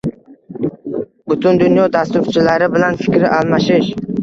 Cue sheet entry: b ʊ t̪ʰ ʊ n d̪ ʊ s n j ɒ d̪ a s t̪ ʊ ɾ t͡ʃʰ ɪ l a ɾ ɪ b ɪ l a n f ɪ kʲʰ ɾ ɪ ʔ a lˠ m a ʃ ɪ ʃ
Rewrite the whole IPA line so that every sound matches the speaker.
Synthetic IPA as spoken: b ʊ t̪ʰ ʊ n d̪ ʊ n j ɒ d̪ a s t̪ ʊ ɾ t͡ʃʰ ɪ l a ɾ ɪ b ɪ l a n f ɪ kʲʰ ɾ ɪ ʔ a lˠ m a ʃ ɪ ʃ

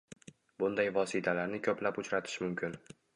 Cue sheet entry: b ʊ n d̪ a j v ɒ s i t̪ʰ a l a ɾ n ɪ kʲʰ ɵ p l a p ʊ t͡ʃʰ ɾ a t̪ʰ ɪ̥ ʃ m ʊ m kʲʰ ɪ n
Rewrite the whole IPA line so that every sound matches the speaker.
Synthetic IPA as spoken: b ʊ n d̪ a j v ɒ s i t̪ʰ a l a ɾ n ɪ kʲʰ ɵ p l a p ʊ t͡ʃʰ ɾ a t̪ʰ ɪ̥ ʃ m ʊ m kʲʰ ɪ n

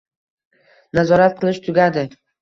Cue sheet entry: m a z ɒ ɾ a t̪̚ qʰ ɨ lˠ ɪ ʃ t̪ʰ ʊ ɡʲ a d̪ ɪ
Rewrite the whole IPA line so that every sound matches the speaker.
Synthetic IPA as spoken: n a z ɒ ɾ a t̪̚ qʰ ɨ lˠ ɪ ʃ t̪ʰ ʊ ɡʲ a d̪ ɪ

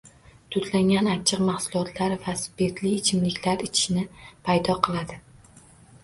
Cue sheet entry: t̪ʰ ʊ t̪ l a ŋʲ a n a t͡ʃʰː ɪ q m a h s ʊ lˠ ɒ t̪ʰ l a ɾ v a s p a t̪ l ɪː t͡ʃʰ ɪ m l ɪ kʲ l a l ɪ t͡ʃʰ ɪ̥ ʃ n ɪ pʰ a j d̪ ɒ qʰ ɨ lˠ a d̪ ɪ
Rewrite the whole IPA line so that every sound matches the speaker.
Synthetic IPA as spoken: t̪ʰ ʊ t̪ l a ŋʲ a n a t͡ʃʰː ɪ q m a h s ʊ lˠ ɒ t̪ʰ l a ɾ v a s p e t̪ l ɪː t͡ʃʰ ɪ m l ɪ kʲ l a ɾ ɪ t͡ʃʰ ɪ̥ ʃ n ɪ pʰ a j d̪ ɒ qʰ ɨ lˠ a d̪ ɪ

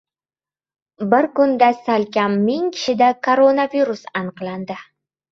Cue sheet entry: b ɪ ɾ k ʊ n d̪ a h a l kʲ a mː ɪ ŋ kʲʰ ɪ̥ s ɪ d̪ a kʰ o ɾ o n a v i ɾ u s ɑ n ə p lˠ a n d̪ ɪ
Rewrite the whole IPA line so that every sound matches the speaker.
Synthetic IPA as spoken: b ɪ ɾ k ʊ n d̪ a s a l kʲ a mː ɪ ŋ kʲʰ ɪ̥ ʃ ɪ d̪ a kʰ o ɾ o n a v i ɾ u s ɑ n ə q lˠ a n d̪ ɪ

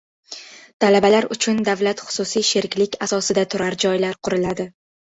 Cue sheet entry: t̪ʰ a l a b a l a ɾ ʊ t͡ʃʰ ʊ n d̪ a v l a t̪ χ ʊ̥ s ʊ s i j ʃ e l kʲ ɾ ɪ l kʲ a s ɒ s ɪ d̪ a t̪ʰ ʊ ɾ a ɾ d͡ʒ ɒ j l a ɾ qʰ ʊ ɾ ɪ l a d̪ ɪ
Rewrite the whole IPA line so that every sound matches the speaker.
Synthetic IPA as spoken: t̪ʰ a l a b a l a ɾ ʊ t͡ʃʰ ʊ n d̪ a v l a t̪ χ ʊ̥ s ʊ s i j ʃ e ɾ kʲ l ɪ kʲ a s ɒ s ɪ d̪ a t̪ʰ ʊ ɾ a ɾ d͡ʒ ɒ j l a ɾ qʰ ʊ ɾ ɪ l a d̪ ɪ

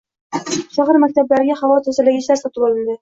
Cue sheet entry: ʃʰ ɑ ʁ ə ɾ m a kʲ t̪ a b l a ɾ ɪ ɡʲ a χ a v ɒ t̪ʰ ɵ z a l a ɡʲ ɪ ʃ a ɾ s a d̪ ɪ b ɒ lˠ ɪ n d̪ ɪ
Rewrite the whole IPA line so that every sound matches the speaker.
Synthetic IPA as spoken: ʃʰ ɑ ʁ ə ɾ m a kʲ t̪ a b l a ɾ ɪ ɡʲ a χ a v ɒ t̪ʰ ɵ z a l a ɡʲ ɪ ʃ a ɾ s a t̪ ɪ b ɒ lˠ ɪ n d̪ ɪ

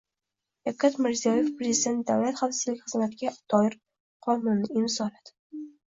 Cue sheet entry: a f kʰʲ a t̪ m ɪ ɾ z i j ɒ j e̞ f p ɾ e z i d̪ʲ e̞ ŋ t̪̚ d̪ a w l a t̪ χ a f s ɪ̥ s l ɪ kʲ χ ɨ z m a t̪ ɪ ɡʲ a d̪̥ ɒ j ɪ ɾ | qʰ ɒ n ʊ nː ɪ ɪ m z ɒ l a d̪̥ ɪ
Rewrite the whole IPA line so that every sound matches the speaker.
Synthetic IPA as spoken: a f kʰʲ a t̪ m ɪ ɾ z i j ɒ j e̞ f p ɾ e z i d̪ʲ e̞ n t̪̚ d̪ a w l a t̪ χ a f s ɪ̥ z l ɪ kʲ χ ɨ z m a t̪ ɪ ɡʲ a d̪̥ ɒ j ɪ ɾ | qʰ ɒ n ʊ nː ɪ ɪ m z ɒ l a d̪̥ ɪ

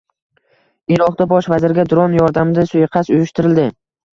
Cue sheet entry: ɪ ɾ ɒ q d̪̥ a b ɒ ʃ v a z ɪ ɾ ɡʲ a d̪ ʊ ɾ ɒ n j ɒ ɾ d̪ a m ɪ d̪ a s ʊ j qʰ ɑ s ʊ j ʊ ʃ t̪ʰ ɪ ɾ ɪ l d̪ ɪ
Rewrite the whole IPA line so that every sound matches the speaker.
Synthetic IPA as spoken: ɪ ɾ ɒ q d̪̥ a b ɒ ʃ v a z ɪ ɾ ɡʲ a d̪ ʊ ɾ ɒ n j ɒ ɾ d̪ a m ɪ d̪ a s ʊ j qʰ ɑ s ʊ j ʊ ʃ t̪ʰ ɪ ɾ ɪ l d̪ ɪ

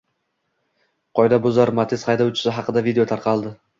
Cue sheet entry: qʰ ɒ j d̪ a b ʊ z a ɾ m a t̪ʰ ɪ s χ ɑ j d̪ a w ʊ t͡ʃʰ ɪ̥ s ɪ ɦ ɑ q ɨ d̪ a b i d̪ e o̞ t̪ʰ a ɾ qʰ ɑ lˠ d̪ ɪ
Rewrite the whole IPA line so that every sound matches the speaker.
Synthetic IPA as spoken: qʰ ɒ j d̪ a b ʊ z a ɾ m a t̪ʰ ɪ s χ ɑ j d̪ a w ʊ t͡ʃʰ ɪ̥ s ɪ ɦ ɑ q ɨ d̪ a v i d̪ e o̞ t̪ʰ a ɾ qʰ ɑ lˠ d̪ ɪ

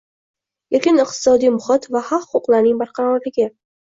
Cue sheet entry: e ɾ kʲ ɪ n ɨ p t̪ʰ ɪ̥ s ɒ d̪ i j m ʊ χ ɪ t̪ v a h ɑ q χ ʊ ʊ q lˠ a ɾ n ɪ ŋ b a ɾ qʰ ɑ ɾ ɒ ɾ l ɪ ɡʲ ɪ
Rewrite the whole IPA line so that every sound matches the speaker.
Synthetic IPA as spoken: e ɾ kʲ ɪ n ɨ q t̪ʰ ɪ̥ s ɒ d̪ i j m ʊ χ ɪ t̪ v a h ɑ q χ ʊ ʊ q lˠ a ɾ n ɪ ŋ b a ɾ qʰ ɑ ɾ ɒ ɾ l ɪ ɡʲ ɪ

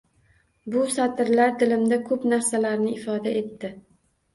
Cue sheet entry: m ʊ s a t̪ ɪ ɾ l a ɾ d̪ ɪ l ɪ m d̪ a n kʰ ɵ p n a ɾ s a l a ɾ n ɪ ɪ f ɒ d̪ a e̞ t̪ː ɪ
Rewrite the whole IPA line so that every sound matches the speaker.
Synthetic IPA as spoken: b ʊ s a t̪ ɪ ɾ l a ɾ d̪ ɪ l ɪ m d̪ a kʰ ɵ p n a ɾ s a l a ɾ n ɪ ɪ f ɒ d̪ a e̞ t̪ː ɪ

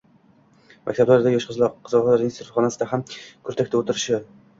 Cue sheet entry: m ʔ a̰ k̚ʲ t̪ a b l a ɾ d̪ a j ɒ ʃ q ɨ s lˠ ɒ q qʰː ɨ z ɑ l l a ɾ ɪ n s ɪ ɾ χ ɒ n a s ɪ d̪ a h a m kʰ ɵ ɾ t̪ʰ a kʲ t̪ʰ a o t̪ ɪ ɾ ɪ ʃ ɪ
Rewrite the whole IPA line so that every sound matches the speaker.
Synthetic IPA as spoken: m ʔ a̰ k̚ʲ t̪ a b l a ɾ d̪ a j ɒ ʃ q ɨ z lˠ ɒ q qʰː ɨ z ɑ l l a ɾ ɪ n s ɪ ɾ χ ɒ n a s ɪ d̪ a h a m kʰ ɵ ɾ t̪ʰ a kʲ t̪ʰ a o t̪ ɪ ɾ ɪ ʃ ɪ

